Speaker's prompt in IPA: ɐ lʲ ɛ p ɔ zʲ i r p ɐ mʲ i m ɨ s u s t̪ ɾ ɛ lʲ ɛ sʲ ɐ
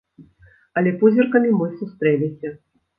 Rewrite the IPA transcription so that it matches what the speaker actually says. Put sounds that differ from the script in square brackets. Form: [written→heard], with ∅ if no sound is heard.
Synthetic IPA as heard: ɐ lʲ ɛ p [ɔ→u] zʲ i r [p→k] ɐ mʲ i m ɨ s u s t̪ ɾ ɛ lʲ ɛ sʲ ɐ